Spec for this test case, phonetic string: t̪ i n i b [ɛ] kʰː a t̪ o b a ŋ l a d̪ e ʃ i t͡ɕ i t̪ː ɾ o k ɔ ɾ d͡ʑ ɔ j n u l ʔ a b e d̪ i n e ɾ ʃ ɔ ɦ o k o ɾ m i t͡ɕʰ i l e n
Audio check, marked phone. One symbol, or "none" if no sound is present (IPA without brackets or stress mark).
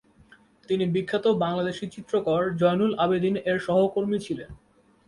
i